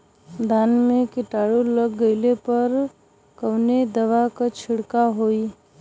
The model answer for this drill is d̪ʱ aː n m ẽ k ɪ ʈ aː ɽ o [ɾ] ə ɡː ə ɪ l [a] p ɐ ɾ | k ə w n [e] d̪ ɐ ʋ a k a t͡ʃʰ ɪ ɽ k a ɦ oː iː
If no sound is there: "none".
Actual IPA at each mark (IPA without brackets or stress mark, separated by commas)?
l, e, e